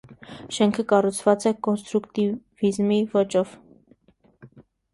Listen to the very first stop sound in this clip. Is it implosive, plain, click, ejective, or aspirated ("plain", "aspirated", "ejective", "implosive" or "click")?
aspirated